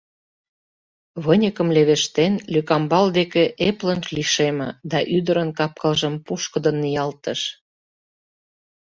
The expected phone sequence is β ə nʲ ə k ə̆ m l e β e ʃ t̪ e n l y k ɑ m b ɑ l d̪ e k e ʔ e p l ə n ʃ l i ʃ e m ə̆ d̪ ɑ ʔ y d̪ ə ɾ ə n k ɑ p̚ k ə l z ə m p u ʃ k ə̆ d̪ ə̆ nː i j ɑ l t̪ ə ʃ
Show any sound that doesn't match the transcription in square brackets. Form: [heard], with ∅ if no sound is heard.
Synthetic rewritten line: β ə nʲ ə k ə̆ m l e β e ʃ t̪ e n l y k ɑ m b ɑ l d̪ e k e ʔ e p l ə n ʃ l i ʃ e m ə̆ d̪ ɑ ʔ y d̪ ə ɾ ə n k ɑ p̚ k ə l [ʒ] ə m p u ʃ k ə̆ d̪ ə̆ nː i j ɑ l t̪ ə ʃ

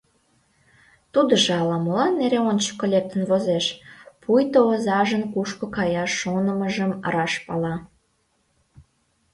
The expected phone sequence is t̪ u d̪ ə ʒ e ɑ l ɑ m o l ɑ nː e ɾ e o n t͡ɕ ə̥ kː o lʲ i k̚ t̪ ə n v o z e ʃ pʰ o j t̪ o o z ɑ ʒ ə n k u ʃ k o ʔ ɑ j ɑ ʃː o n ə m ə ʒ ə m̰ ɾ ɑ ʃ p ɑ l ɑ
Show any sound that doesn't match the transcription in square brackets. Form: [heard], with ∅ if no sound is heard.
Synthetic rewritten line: t̪ u d̪ ə ʒ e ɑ l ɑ m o l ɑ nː e ɾ e o n t͡ɕ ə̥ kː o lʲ [e] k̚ t̪ ə n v o z e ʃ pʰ [u] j t̪ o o z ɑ ʒ ə n k u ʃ k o [k] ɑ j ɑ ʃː o n ə m ə ʒ ə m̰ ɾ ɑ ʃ p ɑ l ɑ

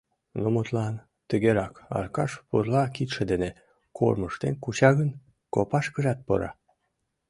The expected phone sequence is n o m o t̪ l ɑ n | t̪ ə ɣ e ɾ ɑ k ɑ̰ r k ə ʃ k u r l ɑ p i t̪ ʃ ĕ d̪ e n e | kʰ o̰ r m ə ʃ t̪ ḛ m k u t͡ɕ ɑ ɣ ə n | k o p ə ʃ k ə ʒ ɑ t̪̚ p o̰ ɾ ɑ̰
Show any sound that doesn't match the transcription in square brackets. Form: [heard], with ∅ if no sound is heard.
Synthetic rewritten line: n o m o t̪ l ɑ n | t̪ ə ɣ e ɾ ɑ k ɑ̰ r k [ɑ] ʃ [p] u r l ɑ [k] i t̪ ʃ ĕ d̪ e n e | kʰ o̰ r m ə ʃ t̪ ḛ [n] k u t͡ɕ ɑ ɣ ə n | k o p [ɑ] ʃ k ə ʒ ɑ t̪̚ p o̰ ɾ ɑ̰

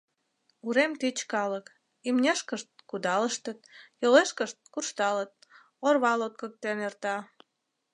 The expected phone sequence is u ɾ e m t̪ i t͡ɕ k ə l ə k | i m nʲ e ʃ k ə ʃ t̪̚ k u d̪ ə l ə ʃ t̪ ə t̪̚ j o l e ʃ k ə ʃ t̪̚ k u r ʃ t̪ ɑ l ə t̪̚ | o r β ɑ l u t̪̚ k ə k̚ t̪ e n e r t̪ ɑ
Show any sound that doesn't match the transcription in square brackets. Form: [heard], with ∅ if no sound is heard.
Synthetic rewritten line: u ɾ e m t̪ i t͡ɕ k [ɑ] l ə k | i m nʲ e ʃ k ə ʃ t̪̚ k u d̪ [ɑ] l ə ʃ t̪ ə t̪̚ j o l e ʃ k ə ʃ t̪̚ k u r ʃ t̪ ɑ l ə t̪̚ | o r β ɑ l [o] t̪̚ k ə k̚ t̪ e n e r t̪ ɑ

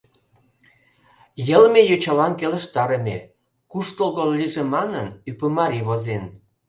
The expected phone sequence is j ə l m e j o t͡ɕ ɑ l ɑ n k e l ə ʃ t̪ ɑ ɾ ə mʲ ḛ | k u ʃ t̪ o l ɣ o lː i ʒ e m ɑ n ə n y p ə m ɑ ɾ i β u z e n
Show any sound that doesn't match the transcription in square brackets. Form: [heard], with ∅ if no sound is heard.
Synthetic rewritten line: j ə l m e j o t͡ɕ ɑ l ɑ n k e l ə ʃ t̪ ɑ ɾ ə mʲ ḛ | k u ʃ t̪ o l ɣ o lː i ʒ e m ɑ n ə n y p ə m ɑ ɾ i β [o] z e n

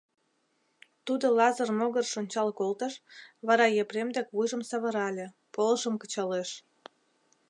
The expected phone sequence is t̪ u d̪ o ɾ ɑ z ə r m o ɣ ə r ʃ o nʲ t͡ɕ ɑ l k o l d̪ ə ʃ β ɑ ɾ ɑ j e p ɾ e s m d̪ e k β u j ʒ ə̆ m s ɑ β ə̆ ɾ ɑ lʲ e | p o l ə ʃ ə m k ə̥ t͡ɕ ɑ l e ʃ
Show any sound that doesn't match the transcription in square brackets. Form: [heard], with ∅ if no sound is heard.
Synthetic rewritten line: t̪ u d̪ o [l] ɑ z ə r m o ɣ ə r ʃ o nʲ t͡ɕ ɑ l k o l [t̪] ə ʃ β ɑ ɾ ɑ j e p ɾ e [∅] m d̪ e k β u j ʒ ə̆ m s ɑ β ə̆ ɾ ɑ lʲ e | p o l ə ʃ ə m k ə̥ t͡ɕ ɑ l e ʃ

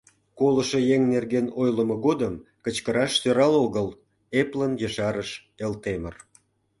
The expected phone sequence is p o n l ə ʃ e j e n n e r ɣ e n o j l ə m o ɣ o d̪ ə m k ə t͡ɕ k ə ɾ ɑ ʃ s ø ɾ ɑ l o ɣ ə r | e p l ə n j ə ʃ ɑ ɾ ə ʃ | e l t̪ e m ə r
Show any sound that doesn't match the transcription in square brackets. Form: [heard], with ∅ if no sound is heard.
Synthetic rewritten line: [k] o [∅] l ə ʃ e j e [ŋ] n e r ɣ e n o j l ə m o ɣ o d̪ ə m k ə t͡ɕ k ə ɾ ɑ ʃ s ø ɾ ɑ l o ɣ ə [l] | e p l ə n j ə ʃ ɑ ɾ ə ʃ | e l t̪ e m ə r

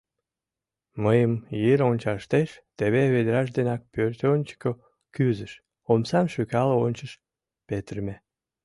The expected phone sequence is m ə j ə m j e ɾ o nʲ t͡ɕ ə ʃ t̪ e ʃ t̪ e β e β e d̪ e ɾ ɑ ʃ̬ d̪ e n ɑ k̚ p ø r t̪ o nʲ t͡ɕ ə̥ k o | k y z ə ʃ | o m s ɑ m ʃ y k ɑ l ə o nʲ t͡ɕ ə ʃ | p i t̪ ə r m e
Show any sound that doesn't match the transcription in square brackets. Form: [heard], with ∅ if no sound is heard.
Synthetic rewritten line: m ə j ə m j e ɾ o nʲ t͡ɕ [ɑ] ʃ t̪ e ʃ t̪ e β e β e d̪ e ɾ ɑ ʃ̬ d̪ e n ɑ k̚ p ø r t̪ o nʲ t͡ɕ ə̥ k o | k y z ə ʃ | o m s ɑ m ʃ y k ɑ l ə o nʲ t͡ɕ ə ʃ | p [e] t̪ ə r m e

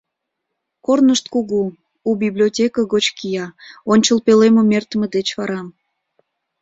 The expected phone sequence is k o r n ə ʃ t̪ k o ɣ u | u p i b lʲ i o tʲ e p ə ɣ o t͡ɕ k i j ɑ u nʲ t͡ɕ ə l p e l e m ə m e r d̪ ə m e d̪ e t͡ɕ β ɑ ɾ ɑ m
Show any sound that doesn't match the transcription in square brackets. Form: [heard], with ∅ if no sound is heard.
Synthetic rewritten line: k o r n ə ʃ t̪ k [u] ɣ u | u [b] i b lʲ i o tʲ e [k] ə ɣ o t͡ɕ k i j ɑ [o] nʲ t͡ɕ ə l p e l e m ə m e r [t̪] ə m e d̪ e t͡ɕ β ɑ ɾ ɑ m

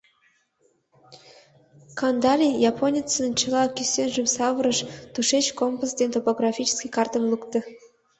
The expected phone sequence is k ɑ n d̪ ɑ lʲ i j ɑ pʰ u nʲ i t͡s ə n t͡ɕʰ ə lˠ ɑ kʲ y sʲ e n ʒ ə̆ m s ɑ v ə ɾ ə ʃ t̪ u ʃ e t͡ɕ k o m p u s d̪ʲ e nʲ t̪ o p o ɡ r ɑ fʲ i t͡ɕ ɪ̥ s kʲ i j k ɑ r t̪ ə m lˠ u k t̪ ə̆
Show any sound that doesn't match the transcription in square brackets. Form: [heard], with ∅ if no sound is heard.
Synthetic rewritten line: k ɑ n d̪ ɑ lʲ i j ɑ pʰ [o] nʲ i t͡s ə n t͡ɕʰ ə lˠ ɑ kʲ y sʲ e n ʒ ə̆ m s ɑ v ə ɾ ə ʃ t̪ u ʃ e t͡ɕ k o m p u s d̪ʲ e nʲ t̪ o p o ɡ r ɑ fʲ i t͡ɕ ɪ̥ s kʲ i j k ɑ r t̪ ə m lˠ u k t̪ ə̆

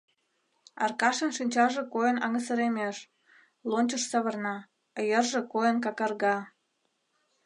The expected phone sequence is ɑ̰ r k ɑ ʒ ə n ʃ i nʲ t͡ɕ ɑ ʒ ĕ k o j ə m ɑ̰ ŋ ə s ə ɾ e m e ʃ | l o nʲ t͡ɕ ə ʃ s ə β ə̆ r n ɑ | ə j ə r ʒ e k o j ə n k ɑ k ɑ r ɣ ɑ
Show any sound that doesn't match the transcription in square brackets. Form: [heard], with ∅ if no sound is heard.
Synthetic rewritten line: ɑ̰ r k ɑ [ʃ] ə n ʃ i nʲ t͡ɕ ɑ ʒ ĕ k o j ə [n] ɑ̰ ŋ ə s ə ɾ e m e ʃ | l o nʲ t͡ɕ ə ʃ s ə β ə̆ r n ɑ | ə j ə r ʒ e k o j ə n k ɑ k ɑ r ɣ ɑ

